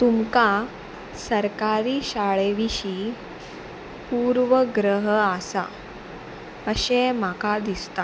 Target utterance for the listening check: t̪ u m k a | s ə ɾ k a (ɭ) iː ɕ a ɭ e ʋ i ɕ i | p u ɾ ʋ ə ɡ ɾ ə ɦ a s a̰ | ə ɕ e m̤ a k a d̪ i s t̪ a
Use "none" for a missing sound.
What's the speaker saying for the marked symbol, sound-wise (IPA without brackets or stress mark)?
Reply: ɾ